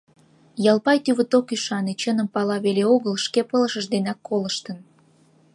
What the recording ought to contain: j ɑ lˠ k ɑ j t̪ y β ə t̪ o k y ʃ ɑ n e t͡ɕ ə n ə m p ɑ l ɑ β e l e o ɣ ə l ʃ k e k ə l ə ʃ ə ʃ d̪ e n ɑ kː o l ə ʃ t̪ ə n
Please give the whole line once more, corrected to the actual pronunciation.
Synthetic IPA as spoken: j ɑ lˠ p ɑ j t̪ y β ə t̪ o k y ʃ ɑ n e t͡ɕ ə n ə m p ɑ l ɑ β e l e o ɣ ə l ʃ k e p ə l ə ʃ ə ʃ d̪ e n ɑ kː o l ə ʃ t̪ ə n